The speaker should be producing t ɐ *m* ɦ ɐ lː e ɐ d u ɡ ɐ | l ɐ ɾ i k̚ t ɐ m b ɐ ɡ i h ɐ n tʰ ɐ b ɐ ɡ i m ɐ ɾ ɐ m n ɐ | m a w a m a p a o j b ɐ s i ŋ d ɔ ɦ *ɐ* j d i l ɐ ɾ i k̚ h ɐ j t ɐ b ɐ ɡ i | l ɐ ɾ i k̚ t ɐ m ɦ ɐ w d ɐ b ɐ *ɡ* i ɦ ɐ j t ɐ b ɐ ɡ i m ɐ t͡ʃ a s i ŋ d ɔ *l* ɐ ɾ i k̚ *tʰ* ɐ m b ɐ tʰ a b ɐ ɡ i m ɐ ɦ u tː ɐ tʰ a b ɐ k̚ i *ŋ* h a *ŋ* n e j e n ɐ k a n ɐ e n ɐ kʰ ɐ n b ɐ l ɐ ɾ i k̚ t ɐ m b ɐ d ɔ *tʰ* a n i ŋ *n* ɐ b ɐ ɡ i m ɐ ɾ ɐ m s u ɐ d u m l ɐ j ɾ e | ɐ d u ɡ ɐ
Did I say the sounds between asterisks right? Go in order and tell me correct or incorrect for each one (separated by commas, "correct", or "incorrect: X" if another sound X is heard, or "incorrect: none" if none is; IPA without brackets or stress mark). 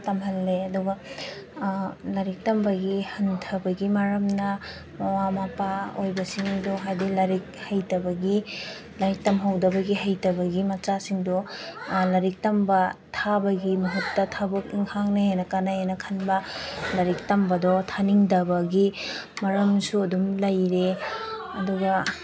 correct, incorrect: a, correct, correct, incorrect: t, correct, correct, correct, incorrect: d